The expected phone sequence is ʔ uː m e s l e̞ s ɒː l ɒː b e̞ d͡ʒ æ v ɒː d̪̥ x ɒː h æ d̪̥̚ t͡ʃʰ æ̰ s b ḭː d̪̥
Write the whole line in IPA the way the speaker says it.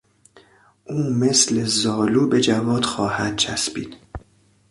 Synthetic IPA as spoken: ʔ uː m e s l e̞ z ɒː l uː b e̞ d͡ʒ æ v ɒː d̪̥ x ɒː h æ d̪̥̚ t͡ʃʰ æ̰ s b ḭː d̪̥